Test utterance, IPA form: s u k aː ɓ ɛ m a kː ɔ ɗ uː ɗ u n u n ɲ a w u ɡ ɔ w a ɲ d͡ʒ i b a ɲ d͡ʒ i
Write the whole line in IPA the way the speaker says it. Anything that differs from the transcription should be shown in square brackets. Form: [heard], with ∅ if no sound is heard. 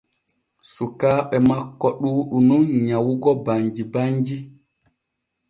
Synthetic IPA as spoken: s u k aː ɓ ɛ m a kː ɔ ɗ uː ɗ u n u n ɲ a w u ɡ ɔ [b] a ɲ d͡ʒ i b a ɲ d͡ʒ i